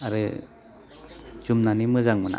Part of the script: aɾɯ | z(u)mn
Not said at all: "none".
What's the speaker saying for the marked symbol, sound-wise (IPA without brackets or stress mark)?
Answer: u